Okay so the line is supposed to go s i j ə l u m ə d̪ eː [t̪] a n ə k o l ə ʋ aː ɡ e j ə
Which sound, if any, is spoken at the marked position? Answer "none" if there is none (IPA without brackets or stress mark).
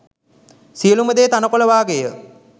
t̪